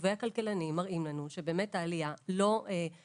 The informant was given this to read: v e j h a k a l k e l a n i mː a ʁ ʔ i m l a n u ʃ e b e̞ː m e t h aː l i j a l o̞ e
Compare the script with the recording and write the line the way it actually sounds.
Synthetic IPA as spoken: v e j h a k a l k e l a n i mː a ʁ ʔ i m l a n u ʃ e b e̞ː m e t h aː l i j a l o̞ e